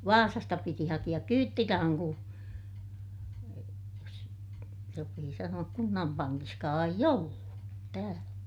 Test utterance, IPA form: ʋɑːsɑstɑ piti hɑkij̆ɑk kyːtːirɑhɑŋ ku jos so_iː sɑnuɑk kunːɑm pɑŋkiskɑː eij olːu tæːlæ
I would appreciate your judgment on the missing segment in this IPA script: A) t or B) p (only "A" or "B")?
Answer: B